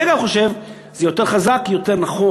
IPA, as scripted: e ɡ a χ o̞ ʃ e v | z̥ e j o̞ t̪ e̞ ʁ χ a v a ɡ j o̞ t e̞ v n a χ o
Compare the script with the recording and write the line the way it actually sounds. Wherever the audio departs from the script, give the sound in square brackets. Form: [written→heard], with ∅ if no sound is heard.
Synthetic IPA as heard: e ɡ a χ o̞ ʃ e v | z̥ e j o̞ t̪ e̞ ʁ χ a [v→z] a [ɡ→k] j o̞ t e̞ [v→ʁ] n a χ o